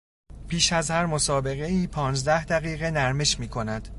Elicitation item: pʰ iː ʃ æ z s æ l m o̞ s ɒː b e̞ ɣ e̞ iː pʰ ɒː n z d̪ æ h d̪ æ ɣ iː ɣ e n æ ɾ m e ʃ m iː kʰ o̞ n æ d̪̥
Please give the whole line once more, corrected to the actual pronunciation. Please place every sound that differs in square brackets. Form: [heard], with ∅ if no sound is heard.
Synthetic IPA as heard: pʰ iː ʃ æ z [h] æ [ɾ] m o̞ s ɒː b e̞ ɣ e̞ iː pʰ ɒː n z d̪ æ h d̪ æ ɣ iː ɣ e n æ ɾ m e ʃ m iː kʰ o̞ n æ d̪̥